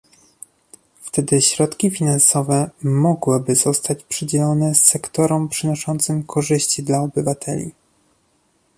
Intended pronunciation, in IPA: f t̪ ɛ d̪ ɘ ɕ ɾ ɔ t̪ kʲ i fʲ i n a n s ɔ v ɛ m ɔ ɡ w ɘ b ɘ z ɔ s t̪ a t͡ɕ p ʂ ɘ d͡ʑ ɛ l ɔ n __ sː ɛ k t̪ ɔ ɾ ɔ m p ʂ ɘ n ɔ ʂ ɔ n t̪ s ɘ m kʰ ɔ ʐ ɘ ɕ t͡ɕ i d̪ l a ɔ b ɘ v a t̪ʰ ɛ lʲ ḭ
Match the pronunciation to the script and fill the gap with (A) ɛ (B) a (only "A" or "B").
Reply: A